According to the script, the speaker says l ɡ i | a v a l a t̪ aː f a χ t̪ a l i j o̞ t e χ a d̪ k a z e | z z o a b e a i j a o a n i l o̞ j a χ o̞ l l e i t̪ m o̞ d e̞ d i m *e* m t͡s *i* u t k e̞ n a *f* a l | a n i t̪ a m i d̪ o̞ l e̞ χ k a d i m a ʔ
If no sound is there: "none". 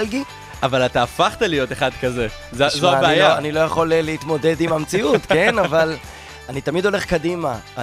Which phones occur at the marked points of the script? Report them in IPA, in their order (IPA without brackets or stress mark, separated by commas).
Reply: a, i, v